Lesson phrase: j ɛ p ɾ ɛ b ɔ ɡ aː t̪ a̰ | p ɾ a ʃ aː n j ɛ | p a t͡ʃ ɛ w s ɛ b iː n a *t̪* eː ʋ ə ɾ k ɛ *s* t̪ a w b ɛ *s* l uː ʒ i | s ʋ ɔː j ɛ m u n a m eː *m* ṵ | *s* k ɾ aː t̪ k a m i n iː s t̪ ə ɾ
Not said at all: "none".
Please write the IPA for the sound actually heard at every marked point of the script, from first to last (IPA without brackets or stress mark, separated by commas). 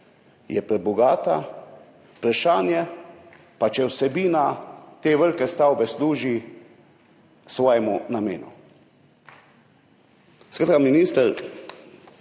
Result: t̪, s, s, n, s